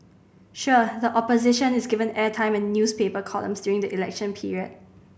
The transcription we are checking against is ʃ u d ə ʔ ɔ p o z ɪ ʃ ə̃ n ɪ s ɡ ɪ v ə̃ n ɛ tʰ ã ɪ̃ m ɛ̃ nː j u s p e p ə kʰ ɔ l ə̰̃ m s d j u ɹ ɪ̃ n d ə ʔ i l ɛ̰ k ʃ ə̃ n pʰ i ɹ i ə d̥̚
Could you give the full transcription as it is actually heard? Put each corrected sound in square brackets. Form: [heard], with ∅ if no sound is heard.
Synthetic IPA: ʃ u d ə ʔ ɔ p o z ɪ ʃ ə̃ n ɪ s ɡ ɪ v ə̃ n ɛ tʰ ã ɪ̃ m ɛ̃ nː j u s p e p ə kʰ ɔ l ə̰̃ m s d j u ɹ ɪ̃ [ŋ] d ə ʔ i l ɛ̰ k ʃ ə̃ n pʰ i ɹ i ə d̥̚